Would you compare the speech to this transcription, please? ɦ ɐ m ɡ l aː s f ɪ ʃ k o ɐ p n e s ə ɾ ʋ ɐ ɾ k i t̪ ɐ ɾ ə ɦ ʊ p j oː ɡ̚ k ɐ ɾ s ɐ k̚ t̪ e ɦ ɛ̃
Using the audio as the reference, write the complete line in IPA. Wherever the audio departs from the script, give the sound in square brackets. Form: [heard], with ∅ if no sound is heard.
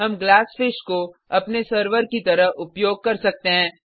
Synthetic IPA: ɦ ɐ m ɡ l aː s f ɪ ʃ k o ɐ p n e s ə ɾ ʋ [ə] ɾ k i t̪ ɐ ɾ ə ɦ ʊ p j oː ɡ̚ k ɐ ɾ s ɐ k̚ t̪ e ɦ [ɛ̃ː]